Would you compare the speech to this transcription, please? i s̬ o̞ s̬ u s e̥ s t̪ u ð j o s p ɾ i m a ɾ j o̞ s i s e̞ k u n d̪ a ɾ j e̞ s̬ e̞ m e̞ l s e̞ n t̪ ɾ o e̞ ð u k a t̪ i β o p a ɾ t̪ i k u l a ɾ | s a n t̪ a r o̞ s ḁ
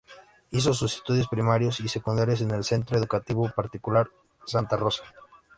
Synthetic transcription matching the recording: i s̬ o̞ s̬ u s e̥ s t̪ u ð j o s p ɾ i m a ɾ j o̞ s i s e̞ k u n d̪ a ɾ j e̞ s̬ e̞ n e̞ l s e̞ n t̪ ɾ o e̞ ð u k a t̪ i β o p a ɾ t̪ i k u l a ɾ | s a n t̪ a r o̞ s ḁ